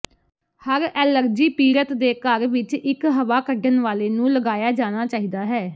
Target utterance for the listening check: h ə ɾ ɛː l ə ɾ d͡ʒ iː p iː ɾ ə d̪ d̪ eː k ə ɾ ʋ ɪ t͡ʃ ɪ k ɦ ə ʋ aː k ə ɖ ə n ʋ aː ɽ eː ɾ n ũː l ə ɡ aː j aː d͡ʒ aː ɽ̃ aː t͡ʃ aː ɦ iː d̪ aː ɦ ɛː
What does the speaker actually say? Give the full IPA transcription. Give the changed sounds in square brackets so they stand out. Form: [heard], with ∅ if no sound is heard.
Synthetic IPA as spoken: h ə ɾ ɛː l ə ɾ d͡ʒ iː p iː ɾ ə [t̪] d̪ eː k ə ɾ ʋ ɪ t͡ʃ ɪ k ɦ ə ʋ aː k ə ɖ ə n ʋ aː [l] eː [∅] n ũː l ə ɡ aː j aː d͡ʒ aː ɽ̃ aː t͡ʃ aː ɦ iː d̪ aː ɦ ɛː